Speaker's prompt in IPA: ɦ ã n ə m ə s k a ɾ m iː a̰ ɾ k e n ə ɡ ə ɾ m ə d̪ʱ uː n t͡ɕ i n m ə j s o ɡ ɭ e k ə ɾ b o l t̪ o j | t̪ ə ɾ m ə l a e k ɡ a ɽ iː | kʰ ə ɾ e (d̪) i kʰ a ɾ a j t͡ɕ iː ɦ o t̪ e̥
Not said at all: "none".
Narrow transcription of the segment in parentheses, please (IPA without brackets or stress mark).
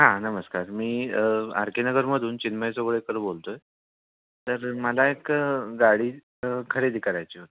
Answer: d̪